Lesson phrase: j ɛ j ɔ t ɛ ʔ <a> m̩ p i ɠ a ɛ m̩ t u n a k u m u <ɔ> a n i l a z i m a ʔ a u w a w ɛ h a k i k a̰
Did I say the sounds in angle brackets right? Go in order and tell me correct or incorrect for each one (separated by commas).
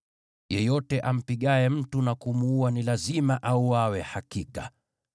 correct, incorrect